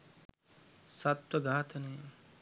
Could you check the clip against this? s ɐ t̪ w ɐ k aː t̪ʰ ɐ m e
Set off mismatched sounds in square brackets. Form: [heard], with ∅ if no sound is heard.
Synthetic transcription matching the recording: s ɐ t̪ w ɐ [ɡ] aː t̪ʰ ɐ [n] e